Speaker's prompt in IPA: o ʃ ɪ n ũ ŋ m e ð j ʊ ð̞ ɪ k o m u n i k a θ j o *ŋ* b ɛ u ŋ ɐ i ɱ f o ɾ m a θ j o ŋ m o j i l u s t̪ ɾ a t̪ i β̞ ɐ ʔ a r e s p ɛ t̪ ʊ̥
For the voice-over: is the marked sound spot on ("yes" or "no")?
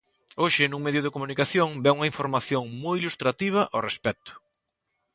yes